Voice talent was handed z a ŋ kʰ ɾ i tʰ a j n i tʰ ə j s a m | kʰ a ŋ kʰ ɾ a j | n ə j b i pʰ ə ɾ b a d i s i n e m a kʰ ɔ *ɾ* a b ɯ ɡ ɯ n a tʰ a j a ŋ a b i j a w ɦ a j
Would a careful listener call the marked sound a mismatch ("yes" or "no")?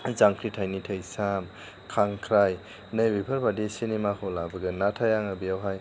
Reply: yes